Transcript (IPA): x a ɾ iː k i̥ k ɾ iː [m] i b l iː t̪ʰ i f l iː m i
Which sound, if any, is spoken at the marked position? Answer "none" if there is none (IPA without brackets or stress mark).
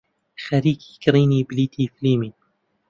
n